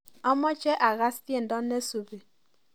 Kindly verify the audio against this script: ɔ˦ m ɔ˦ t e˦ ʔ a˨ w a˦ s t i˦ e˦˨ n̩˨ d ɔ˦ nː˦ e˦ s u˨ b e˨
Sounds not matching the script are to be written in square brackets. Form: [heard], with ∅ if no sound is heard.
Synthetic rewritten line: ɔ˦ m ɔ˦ [t͡ʃ] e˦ ʔ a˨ [ɣ] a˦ s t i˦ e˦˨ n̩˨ d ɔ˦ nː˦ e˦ s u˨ b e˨